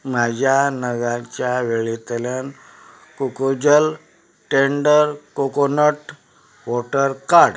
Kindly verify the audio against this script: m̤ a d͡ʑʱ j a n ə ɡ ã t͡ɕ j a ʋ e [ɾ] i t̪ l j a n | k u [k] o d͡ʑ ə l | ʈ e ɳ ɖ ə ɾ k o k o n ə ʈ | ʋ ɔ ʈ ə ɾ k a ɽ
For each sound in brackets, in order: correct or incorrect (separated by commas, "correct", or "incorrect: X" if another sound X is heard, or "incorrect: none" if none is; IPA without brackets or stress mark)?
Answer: incorrect: ɭ, correct